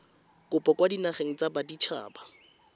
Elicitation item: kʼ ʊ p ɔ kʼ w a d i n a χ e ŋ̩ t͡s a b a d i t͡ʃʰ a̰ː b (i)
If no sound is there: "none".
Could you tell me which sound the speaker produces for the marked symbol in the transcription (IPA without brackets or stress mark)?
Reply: a